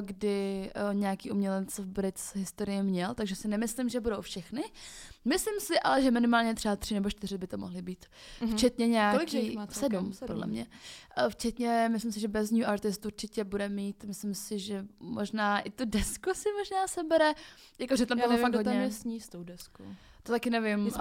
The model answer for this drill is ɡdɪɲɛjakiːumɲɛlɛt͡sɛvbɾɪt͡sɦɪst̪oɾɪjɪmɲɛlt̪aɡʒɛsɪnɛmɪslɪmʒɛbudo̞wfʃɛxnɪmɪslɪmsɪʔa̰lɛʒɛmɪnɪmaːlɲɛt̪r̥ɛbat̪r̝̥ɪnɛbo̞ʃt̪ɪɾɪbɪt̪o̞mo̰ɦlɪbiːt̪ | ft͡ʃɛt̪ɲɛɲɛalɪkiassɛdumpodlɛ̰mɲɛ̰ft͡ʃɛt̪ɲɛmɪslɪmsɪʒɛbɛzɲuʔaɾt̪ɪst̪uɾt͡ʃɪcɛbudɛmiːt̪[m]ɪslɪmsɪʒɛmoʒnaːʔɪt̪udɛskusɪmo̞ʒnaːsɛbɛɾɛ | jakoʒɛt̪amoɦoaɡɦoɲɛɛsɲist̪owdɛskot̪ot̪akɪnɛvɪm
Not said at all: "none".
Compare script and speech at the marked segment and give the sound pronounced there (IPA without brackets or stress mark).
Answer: m